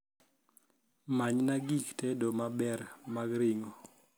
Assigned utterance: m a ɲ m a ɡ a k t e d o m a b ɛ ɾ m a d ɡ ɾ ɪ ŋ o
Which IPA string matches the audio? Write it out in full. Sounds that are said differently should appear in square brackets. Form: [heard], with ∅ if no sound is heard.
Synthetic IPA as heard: m a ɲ [n] a ɡ [i] k t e d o m a b ɛ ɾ m a [∅] ɡ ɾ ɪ ŋ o